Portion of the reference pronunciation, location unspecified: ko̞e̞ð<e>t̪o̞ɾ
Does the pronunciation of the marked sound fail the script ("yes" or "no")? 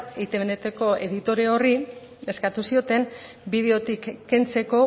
yes